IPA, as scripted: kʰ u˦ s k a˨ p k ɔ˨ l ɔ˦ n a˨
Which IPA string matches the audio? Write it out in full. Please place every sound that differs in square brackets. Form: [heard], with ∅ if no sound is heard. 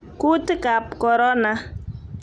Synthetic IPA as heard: [k] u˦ [t] k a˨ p k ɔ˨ [ɾ] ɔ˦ n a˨